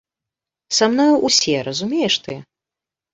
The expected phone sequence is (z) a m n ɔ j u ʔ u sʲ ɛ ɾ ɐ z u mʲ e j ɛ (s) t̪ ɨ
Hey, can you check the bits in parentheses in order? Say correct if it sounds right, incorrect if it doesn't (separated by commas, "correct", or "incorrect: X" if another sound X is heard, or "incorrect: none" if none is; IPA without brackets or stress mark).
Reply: incorrect: s, incorrect: ʂ